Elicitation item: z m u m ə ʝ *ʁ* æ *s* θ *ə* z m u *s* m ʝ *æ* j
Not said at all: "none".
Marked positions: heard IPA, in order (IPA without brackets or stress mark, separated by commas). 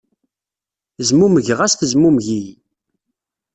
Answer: ʁ, s, ə, none, i